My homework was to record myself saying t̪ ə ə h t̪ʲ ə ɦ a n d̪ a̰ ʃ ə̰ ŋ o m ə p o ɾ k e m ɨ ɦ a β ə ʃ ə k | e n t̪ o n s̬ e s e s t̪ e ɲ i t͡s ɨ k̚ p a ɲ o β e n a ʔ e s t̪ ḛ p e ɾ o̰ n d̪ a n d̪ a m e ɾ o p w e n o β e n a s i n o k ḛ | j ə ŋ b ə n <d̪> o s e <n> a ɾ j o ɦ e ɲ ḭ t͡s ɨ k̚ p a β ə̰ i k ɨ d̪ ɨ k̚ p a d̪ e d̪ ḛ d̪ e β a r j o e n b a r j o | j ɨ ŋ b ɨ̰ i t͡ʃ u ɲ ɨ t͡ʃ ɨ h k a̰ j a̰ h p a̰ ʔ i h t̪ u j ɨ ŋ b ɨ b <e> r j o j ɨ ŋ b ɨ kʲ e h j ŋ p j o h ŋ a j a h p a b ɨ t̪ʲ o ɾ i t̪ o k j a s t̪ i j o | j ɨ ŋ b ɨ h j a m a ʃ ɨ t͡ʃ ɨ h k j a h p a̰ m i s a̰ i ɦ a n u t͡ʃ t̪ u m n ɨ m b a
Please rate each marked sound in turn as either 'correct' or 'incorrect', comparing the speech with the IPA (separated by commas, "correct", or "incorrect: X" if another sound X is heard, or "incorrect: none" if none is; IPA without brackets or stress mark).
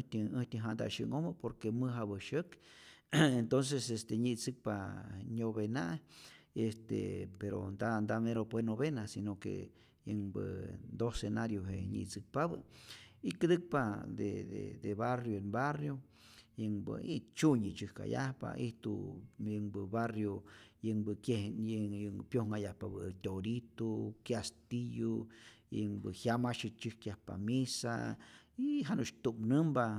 correct, correct, incorrect: a